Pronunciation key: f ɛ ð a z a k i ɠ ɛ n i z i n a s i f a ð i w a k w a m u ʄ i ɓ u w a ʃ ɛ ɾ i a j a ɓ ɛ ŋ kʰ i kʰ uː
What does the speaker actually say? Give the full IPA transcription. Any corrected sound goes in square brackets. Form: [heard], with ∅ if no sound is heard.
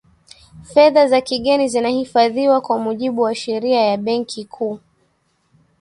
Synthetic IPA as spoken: f ɛ ð a z a k i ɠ ɛ n i z i n a [h] i f a ð i w a k w a m u ʄ i ɓ u w a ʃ ɛ ɾ i a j a ɓ ɛ ŋ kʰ i kʰ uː